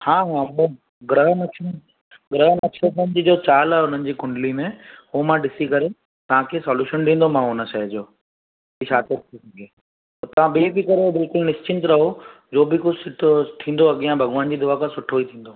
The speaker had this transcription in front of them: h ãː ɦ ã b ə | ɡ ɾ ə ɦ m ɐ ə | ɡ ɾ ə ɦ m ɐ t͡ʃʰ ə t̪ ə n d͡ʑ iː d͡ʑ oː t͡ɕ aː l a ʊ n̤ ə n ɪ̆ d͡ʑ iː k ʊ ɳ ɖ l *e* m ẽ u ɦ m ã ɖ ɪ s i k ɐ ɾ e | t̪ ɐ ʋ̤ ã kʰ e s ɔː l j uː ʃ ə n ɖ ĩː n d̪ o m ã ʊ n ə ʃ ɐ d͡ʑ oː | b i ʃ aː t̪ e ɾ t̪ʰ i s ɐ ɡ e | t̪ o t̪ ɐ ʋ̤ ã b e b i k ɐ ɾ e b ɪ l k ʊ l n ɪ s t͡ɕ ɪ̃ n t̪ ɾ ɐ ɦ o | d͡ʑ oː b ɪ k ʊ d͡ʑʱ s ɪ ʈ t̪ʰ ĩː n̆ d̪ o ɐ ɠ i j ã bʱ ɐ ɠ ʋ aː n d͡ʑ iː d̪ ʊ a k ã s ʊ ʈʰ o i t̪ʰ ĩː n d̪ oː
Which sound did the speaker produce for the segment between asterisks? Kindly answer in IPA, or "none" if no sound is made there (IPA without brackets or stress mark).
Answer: i